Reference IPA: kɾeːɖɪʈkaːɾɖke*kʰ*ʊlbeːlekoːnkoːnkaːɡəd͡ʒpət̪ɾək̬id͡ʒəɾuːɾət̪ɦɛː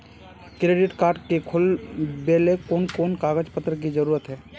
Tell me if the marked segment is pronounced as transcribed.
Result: yes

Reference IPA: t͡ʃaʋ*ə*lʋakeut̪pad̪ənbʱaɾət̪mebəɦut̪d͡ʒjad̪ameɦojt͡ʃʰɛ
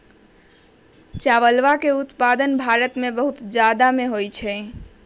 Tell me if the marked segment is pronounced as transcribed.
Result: yes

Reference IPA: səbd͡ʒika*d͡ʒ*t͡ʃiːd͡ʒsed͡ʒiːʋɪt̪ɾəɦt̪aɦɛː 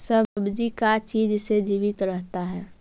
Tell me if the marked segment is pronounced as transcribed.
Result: no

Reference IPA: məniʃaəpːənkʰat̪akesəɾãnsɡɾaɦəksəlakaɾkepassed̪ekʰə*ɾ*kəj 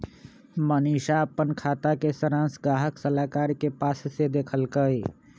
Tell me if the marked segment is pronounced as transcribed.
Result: no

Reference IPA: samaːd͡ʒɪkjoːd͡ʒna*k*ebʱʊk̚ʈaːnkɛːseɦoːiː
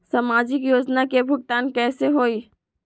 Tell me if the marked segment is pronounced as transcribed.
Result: yes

